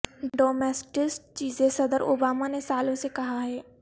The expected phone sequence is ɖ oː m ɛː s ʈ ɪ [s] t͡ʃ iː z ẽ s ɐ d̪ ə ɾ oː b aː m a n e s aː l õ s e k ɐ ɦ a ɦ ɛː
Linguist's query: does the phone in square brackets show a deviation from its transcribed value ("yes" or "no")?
no